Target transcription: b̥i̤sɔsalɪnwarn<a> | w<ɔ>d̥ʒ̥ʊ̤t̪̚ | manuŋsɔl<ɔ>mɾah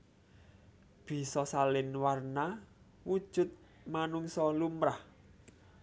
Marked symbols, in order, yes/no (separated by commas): yes, no, no